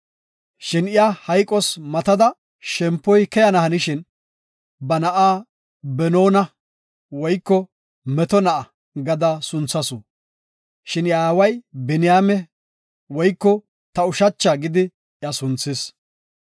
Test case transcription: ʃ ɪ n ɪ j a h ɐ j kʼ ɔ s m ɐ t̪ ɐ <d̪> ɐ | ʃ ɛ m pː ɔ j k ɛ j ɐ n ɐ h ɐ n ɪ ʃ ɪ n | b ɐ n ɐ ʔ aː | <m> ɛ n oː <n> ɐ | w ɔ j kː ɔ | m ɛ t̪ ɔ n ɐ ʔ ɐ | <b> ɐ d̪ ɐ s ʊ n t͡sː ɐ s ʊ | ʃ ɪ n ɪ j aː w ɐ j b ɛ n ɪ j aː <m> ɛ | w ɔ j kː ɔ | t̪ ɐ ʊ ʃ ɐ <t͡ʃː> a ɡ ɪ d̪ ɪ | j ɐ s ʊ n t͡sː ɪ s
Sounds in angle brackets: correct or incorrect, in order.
correct, incorrect, correct, incorrect, correct, correct

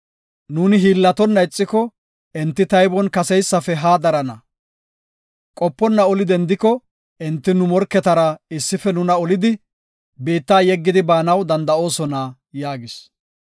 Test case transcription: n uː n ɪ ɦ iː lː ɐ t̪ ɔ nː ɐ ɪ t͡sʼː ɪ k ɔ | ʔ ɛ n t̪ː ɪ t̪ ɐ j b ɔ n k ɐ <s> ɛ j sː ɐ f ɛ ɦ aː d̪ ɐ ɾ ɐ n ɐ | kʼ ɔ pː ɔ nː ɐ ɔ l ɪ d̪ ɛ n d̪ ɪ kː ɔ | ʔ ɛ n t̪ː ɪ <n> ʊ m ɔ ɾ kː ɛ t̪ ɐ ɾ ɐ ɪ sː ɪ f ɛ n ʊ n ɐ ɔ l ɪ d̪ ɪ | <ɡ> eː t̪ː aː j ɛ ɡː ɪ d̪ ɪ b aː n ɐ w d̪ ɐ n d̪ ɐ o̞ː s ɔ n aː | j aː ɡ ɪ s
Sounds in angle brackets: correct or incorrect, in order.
correct, correct, incorrect

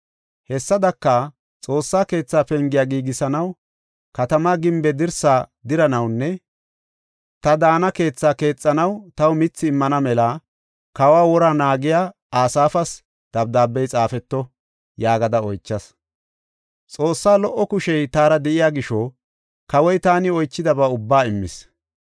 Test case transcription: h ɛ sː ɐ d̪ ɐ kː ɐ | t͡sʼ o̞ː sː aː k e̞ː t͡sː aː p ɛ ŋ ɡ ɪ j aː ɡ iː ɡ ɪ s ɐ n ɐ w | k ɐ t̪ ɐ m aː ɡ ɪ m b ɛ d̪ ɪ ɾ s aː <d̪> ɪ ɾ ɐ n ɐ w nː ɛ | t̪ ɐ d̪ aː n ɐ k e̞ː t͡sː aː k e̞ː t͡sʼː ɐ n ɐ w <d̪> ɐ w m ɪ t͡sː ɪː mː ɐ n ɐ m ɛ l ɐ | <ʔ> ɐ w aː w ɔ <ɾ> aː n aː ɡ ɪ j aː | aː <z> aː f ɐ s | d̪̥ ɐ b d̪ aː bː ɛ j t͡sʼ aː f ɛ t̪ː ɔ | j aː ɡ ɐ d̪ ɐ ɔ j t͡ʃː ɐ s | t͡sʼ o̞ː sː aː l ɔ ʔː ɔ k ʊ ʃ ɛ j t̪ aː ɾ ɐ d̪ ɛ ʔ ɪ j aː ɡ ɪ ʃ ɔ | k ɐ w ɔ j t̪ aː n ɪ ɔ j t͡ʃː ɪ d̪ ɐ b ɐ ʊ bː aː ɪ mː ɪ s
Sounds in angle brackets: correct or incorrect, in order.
correct, incorrect, incorrect, correct, incorrect

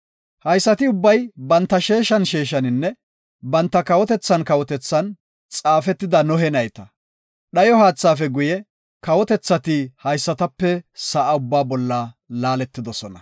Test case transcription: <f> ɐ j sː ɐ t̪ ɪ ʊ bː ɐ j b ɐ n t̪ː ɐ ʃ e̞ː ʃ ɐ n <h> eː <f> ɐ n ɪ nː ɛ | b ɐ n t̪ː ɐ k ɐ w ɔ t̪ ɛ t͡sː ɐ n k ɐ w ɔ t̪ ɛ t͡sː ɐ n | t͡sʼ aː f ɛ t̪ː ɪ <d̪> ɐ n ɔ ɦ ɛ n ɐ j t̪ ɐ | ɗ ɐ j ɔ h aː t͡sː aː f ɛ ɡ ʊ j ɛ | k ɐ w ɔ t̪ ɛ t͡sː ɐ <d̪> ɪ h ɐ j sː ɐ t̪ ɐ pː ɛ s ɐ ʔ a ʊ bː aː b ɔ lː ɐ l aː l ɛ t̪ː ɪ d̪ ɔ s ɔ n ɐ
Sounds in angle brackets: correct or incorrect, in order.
incorrect, incorrect, incorrect, correct, incorrect

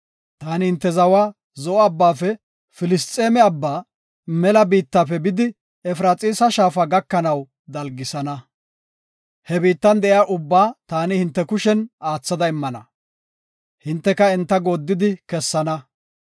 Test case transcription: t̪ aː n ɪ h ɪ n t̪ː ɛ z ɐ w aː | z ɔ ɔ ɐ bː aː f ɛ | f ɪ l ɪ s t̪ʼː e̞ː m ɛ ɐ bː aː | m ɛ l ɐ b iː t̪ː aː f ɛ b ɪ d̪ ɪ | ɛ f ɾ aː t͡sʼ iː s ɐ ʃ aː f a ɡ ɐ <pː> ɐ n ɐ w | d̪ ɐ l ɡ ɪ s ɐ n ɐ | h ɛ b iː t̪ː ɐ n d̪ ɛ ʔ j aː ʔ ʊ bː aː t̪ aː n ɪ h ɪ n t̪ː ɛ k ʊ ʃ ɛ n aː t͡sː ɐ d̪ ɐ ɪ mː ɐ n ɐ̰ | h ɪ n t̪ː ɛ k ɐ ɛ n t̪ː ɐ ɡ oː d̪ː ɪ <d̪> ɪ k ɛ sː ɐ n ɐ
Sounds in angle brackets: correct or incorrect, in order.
incorrect, correct

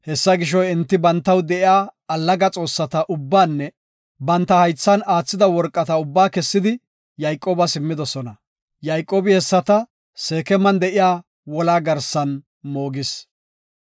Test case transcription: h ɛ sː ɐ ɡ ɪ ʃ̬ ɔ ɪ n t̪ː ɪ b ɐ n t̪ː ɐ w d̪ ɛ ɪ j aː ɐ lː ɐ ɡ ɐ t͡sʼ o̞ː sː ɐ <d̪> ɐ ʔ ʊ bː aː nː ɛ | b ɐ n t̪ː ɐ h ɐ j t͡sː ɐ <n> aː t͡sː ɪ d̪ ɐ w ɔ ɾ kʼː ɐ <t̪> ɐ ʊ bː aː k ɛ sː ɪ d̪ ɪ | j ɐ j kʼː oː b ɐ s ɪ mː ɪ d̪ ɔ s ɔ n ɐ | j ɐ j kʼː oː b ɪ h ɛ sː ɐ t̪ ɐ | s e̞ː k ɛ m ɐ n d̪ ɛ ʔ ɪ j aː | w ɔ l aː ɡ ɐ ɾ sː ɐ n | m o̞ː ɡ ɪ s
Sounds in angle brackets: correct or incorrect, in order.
incorrect, correct, correct

